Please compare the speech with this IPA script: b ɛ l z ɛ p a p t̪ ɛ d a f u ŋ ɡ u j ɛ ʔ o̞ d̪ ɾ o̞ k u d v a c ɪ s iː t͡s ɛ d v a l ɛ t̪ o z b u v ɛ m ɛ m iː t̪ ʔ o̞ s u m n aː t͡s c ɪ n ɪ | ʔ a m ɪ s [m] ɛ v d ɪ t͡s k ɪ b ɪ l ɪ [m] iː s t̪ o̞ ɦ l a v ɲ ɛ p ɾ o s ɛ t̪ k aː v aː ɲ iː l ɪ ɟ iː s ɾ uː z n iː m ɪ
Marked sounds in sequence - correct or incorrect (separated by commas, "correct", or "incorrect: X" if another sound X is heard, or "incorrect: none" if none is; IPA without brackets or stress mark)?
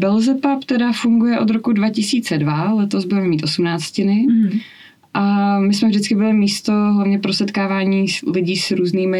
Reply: correct, correct